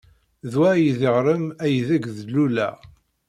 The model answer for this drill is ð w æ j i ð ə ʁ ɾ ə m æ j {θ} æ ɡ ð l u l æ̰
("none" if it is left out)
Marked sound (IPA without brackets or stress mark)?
ð